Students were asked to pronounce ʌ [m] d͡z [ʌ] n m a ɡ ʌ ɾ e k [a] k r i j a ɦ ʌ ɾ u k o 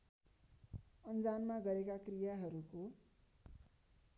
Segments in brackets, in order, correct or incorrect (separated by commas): incorrect, incorrect, correct